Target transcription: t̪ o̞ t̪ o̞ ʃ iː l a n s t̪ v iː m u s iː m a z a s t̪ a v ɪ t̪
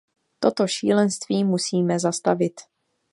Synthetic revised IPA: t̪ o̞ t̪ o̞ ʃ iː l ɛ n s t̪ v iː m u s iː m ɛ z a s t̪ a v ɪ t̪